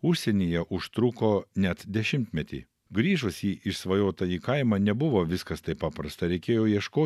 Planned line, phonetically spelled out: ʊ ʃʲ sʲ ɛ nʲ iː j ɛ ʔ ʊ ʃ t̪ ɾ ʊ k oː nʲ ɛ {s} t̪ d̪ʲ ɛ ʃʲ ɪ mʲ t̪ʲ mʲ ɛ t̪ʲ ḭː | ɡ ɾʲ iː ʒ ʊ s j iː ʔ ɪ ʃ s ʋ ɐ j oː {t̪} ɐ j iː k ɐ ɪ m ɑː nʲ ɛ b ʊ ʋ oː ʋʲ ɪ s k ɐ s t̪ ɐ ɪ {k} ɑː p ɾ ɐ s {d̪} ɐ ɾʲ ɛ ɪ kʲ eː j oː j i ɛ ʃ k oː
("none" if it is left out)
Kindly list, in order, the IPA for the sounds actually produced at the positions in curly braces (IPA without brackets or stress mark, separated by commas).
none, t̪, p, t̪